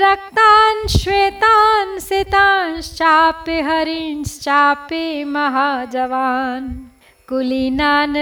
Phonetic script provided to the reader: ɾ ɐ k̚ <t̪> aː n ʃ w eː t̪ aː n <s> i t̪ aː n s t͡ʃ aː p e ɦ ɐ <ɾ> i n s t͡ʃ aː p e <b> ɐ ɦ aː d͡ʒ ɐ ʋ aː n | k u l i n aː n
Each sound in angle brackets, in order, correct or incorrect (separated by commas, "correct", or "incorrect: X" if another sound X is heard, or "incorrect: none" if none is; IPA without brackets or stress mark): correct, correct, correct, incorrect: m